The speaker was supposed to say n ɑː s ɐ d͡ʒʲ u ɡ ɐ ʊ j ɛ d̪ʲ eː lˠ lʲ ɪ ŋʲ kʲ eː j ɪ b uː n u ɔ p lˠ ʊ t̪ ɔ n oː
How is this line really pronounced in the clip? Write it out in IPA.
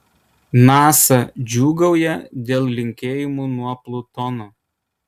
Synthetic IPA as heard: n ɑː s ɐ d͡ʒʲ uː ɡ ɐ ʊ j ɛ d̪ʲ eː lˠ lʲ ɪ ŋʲ kʲ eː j ɪ m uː n u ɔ p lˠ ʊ t̪ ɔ n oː